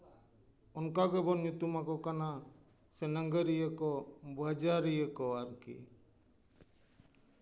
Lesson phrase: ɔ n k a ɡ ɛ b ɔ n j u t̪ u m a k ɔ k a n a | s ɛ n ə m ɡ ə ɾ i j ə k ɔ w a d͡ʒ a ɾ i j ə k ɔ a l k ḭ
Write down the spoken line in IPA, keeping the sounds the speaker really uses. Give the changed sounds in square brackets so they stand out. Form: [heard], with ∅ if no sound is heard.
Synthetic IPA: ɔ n k a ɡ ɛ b ɔ n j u t̪ u m a k ɔ k a n a | s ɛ n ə [ŋ] ɡ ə ɾ i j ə k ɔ [b] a d͡ʒ a ɾ i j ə k ɔ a [ɾ] k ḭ